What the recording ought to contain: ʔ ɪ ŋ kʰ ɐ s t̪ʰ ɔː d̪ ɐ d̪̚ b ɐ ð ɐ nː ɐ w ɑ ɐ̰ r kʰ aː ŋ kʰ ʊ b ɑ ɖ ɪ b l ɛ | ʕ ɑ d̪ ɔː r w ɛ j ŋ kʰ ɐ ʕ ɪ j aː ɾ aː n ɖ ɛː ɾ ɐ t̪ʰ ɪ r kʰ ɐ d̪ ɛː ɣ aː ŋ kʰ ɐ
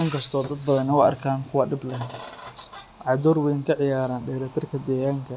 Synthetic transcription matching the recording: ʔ ɪ ŋ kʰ ɐ s t̪ʰ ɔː d̪ ɐ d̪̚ b ɐ ð ɐ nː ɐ w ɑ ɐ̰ r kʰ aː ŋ kʰ ʊ w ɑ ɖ ɪ b l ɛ | ʕ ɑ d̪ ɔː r w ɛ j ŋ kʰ ɐ ʕ ɪ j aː ɾ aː n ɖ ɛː ɾ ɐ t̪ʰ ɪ r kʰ ɐ d̪ ɛː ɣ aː ŋ kʰ ɐ